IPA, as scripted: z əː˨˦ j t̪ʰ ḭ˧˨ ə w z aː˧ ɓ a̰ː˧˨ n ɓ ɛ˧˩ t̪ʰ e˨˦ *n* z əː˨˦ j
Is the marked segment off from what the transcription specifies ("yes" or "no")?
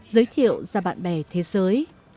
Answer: yes